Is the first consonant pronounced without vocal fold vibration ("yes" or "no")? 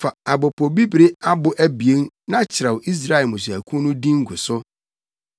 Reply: yes